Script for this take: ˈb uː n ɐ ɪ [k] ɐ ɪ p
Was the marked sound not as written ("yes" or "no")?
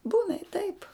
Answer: yes